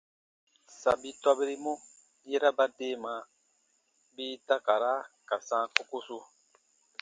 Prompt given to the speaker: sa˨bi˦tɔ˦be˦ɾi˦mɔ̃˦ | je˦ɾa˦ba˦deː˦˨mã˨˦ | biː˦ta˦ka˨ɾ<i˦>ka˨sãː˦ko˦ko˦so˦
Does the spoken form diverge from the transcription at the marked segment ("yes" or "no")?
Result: yes